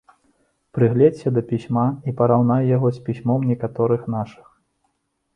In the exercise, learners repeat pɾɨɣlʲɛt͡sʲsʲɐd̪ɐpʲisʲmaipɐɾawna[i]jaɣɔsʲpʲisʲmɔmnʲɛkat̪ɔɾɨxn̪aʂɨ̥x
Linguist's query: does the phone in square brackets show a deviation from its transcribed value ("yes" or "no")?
yes